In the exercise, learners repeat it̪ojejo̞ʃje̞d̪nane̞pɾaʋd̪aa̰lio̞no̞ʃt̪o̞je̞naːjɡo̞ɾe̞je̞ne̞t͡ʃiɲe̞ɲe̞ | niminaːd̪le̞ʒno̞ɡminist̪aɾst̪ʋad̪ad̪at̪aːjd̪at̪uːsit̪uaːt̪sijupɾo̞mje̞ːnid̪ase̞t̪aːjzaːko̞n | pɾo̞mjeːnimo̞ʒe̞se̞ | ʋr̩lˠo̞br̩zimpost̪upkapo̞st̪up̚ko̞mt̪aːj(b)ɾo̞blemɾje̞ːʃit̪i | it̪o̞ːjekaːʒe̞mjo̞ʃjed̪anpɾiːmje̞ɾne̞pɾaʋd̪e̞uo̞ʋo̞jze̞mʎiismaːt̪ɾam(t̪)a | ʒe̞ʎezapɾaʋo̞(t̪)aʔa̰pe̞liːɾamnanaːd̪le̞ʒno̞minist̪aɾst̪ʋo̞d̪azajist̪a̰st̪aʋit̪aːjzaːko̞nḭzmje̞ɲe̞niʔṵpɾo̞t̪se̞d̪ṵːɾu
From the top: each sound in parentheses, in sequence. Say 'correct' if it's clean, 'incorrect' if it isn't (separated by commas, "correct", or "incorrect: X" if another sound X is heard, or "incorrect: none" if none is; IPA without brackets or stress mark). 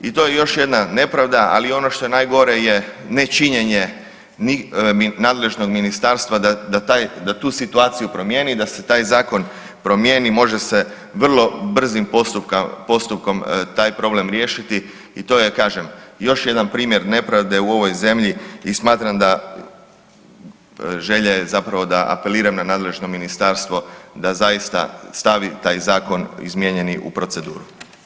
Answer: incorrect: p, incorrect: d̪, incorrect: d̪